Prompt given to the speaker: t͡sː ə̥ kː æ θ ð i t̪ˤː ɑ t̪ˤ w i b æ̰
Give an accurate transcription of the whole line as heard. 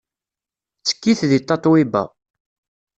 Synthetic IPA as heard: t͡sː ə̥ kː i θ ð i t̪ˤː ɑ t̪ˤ w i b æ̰